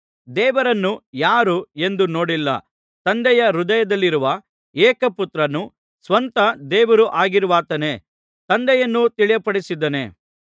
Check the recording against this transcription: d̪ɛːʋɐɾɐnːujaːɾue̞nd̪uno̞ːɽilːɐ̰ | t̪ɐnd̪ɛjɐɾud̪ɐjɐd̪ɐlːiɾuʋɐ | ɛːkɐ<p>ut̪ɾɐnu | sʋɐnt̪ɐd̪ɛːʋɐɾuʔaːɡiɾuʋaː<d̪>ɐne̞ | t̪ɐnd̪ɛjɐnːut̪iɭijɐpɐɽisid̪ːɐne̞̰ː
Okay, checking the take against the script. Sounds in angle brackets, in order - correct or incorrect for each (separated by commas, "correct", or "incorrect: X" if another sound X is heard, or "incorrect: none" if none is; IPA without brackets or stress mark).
correct, incorrect: t̪